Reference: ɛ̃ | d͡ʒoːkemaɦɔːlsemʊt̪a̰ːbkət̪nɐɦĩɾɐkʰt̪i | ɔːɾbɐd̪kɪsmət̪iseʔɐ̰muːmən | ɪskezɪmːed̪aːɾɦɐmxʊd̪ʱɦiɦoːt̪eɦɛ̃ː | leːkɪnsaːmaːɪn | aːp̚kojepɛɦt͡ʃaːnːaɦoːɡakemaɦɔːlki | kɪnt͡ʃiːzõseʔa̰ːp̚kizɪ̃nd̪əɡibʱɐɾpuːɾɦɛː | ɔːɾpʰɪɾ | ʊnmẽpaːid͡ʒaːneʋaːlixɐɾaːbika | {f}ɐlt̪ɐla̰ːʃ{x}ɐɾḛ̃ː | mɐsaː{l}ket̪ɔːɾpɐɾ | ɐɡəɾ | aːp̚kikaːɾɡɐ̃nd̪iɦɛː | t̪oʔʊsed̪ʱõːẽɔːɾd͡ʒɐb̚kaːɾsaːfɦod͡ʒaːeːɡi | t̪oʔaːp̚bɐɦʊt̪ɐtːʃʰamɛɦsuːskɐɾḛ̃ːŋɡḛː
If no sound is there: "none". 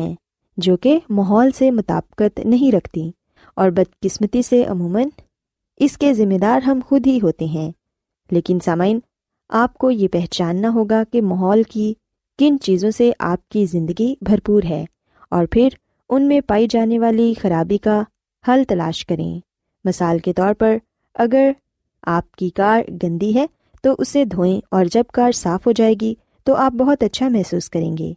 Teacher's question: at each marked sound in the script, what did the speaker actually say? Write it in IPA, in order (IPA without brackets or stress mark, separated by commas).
h, k, l